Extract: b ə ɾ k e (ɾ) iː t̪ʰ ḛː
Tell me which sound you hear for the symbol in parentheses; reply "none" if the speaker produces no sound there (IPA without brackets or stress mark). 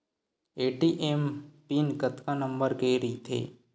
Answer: ɾ